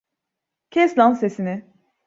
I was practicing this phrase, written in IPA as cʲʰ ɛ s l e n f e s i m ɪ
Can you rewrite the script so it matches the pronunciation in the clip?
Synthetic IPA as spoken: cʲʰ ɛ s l a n s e s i n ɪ